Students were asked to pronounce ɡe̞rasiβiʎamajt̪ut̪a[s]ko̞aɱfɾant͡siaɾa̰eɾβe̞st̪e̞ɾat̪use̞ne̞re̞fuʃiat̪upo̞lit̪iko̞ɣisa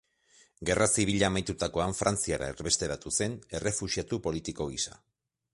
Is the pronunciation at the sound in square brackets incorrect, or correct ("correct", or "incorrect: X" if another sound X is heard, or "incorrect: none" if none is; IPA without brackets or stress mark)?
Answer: incorrect: none